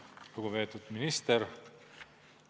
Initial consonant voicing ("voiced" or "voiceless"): voiced